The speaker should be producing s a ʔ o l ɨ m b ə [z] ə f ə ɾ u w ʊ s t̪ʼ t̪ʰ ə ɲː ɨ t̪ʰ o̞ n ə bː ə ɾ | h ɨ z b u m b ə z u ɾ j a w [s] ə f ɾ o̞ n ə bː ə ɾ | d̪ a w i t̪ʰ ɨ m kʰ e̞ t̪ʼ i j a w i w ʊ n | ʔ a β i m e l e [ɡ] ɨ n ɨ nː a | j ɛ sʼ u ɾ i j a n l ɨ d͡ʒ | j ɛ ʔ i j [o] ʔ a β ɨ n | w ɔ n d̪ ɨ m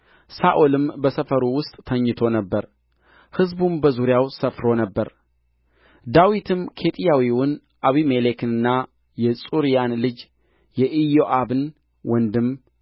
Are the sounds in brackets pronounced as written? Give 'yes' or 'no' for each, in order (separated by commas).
no, yes, no, yes